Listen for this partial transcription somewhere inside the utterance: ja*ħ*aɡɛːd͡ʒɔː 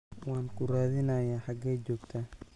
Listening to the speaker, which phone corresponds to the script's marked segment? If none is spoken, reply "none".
ħ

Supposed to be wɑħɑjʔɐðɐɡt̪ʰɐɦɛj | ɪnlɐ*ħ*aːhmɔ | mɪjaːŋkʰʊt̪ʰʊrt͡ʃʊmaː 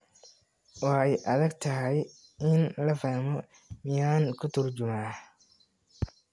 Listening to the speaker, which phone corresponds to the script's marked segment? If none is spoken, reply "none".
f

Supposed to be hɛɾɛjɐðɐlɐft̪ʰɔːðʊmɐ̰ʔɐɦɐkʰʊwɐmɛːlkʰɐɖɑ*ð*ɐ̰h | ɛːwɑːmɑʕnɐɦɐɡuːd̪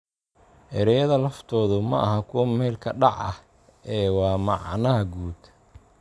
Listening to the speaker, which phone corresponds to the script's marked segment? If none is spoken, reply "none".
ʕ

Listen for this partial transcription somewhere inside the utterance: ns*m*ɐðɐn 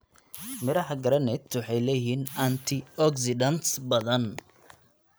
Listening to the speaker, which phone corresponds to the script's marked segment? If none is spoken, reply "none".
b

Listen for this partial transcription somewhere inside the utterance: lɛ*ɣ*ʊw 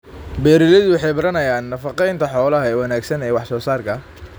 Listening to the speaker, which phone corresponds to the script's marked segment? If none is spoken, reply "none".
ð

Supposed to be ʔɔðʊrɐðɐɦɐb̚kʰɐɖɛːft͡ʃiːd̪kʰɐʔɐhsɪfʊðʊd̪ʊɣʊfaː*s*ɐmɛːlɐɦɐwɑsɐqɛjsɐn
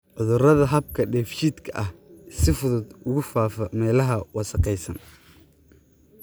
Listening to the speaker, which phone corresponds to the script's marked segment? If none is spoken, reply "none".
f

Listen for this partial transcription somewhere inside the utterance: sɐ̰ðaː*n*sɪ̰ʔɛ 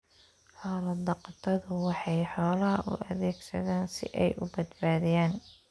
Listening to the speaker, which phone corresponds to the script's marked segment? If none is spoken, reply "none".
n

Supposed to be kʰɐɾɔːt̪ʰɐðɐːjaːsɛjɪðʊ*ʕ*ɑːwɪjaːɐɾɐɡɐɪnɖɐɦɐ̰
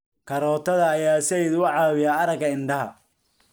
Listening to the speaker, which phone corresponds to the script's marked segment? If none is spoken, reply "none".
ʕ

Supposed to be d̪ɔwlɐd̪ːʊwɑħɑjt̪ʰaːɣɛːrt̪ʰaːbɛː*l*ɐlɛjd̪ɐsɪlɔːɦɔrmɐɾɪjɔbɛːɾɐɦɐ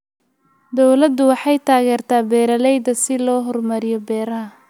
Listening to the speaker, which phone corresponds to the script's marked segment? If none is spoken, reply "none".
ɾ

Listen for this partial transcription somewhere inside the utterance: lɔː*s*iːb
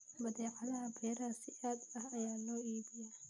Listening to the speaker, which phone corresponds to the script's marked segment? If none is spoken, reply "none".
none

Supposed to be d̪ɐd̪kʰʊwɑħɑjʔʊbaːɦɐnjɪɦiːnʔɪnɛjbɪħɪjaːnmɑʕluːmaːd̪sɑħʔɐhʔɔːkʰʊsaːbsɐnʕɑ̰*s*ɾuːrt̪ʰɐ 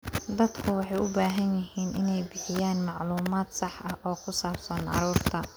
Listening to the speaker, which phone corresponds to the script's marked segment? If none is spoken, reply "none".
none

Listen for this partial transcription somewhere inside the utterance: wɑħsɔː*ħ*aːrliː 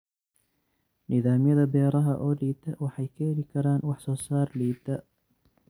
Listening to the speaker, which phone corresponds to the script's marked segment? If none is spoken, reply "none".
s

